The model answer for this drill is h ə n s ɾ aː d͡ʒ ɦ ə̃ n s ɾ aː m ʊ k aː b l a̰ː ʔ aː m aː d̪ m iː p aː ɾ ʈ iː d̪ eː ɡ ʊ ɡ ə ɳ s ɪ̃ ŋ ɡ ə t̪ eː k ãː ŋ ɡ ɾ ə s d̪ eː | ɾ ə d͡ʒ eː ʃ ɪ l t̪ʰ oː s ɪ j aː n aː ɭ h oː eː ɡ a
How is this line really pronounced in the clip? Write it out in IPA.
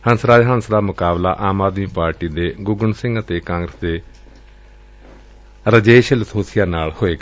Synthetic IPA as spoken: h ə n s ɾ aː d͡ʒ ɦ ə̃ n s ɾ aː m ʊ k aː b l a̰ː ʔ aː m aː d̪ m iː p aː ɾ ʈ iː d̪ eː ɡ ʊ ɡ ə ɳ s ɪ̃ ŋ ɡ ə t̪ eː k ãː ŋ ɡ ɾ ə s d̪ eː | ɾ ə d͡ʒ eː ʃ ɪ l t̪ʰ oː s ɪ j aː n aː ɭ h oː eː ɡ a